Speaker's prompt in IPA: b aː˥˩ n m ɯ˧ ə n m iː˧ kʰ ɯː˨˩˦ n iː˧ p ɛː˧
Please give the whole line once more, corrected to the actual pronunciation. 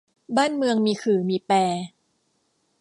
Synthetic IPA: b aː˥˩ n m ɯ˧ ə ŋ m iː˧ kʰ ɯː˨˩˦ m iː˧ p ɛː˧